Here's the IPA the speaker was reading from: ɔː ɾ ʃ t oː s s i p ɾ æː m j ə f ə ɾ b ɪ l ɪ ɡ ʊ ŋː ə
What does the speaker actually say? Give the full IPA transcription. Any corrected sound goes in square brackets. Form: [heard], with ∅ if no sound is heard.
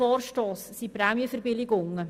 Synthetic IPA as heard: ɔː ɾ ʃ t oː s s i p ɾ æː m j ə f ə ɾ b ɪ l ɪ ɡ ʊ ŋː ə